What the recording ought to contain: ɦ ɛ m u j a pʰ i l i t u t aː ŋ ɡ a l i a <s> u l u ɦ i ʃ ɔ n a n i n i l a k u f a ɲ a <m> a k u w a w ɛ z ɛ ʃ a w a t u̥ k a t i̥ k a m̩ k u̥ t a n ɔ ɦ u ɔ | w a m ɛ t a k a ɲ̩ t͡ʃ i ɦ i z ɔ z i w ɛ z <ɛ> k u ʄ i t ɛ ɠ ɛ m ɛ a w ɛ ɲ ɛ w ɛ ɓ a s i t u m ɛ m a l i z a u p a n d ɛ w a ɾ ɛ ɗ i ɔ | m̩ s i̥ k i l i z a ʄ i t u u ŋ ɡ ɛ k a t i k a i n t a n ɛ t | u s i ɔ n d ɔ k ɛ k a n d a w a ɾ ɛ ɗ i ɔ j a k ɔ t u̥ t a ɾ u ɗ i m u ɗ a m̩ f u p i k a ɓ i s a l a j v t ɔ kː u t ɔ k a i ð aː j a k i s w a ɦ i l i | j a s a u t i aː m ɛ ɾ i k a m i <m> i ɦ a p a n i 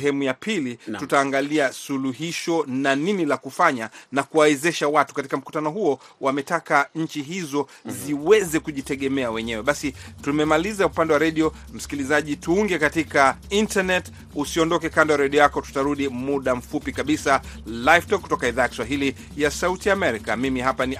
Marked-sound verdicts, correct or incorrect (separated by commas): correct, incorrect, correct, correct